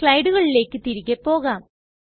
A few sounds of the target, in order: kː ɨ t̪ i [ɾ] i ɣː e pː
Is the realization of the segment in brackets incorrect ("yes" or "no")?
no